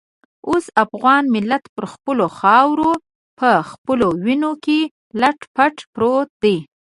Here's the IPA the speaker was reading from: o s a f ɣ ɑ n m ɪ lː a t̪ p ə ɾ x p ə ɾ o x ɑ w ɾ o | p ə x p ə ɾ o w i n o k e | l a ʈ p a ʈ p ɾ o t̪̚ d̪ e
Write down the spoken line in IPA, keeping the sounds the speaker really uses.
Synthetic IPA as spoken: o s a f ɣ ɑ n m ɪ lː a t̪ p ə ɾ x p ə l o x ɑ w ɾ o | p ə x p ə l o w i n o k e | l a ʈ p a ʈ p ɾ o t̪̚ d̪ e